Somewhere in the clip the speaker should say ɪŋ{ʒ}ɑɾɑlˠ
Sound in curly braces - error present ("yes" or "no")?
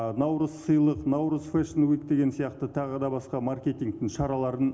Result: yes